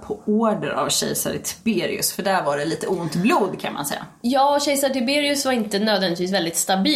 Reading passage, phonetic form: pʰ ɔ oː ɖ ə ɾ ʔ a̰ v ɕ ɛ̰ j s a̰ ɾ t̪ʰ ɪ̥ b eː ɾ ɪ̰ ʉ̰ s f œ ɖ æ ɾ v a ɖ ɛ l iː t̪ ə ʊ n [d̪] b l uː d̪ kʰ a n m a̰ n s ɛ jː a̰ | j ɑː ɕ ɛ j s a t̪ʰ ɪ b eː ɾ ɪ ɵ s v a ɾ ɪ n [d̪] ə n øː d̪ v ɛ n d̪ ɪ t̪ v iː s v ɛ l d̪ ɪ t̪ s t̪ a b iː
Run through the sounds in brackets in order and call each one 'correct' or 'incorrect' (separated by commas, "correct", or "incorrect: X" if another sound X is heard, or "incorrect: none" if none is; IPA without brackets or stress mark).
incorrect: t̪, incorrect: t̪